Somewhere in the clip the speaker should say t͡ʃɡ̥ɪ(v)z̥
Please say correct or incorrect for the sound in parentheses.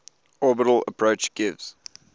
correct